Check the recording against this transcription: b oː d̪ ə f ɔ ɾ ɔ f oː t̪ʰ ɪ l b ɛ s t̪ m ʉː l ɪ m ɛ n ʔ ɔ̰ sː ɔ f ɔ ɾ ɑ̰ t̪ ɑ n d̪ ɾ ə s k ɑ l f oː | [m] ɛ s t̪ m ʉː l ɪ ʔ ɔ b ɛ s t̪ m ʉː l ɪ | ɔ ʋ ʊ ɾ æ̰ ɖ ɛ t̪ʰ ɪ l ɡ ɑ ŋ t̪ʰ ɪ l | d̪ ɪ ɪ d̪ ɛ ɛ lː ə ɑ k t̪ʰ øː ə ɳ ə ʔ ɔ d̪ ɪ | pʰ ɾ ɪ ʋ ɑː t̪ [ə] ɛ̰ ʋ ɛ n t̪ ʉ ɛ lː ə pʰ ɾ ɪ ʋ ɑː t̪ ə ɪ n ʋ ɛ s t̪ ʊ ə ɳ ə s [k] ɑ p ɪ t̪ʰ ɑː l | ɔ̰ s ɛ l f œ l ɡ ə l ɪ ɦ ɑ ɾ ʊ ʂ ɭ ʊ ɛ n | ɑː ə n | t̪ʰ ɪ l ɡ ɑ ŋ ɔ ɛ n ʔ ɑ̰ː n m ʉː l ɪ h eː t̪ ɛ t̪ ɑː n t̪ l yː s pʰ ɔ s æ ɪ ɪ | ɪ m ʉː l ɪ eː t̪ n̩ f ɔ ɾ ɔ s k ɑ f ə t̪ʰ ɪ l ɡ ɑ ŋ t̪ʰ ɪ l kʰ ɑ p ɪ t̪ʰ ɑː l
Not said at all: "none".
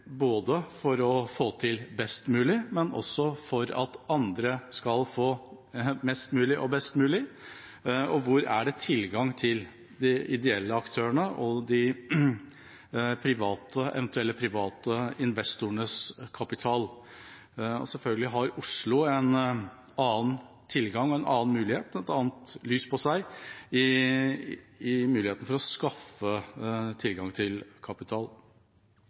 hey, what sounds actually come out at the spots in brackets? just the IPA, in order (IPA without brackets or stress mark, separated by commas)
m, ə, kʰ